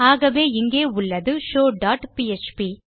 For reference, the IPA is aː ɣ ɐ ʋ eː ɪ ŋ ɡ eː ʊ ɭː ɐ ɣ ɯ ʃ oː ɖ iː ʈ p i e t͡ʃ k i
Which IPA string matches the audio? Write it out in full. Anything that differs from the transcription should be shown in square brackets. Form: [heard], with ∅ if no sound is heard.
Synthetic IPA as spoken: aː ɣ ɐ ʋ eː ɪ ŋ ɡ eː ʊ ɭː ɐ [ð] ɯ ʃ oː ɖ [aː] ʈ p i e t͡ʃ [p] i